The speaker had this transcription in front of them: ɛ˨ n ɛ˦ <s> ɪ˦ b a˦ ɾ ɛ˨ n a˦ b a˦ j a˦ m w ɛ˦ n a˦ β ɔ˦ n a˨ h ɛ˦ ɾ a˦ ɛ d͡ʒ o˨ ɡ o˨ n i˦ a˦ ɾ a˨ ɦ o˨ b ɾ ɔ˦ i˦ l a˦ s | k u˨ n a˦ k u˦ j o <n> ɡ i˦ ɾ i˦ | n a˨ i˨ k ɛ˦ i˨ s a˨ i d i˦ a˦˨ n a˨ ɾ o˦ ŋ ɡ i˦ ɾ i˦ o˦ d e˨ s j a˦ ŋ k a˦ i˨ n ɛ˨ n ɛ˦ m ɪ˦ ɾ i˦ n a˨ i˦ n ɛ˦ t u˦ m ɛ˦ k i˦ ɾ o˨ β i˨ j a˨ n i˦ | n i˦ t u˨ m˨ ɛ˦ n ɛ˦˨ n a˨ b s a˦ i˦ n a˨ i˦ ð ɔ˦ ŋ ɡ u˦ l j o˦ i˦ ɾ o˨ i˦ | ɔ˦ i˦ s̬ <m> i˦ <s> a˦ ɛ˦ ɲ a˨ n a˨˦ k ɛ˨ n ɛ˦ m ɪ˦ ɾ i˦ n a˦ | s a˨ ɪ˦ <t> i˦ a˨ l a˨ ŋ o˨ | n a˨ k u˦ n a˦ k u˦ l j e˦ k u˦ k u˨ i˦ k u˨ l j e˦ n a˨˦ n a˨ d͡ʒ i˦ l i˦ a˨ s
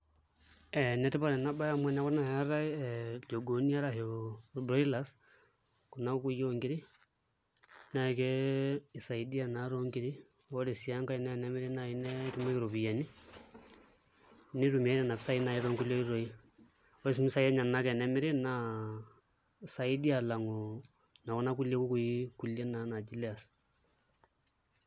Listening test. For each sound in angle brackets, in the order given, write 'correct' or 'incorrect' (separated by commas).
incorrect, incorrect, correct, correct, incorrect